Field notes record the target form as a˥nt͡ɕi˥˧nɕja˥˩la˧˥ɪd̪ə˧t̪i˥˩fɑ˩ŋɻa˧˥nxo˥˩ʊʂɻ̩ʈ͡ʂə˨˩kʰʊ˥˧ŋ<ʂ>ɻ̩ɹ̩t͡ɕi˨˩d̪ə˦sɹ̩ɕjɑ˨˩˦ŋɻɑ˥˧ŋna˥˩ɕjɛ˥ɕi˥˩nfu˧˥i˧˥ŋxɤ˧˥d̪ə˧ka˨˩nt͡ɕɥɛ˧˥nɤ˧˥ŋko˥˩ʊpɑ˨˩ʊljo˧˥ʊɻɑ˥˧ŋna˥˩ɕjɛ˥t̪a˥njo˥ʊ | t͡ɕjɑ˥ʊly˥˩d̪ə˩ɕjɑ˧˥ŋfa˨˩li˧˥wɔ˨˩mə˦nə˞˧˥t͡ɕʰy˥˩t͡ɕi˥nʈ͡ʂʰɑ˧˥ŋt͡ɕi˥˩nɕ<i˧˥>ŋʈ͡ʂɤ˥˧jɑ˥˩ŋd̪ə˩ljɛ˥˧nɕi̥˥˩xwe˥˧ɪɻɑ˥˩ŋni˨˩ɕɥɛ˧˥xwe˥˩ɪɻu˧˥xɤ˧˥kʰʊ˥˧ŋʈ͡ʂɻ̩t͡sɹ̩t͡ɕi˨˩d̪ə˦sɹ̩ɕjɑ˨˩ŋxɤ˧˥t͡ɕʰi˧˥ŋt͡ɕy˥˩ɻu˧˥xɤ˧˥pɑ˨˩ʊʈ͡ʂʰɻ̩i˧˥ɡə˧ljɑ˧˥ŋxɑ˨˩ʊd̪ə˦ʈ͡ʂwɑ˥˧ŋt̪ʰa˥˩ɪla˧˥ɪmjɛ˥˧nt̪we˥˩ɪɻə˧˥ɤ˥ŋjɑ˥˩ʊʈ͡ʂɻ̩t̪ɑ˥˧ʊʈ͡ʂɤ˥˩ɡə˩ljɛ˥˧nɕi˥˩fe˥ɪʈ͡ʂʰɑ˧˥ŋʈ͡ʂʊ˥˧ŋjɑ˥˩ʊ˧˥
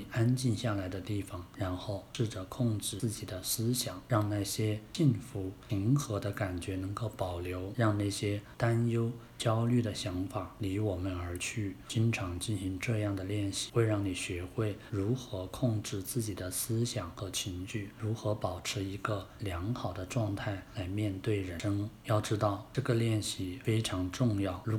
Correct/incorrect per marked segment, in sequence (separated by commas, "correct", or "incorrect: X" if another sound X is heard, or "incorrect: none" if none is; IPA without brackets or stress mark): incorrect: ʈ͡ʂ, correct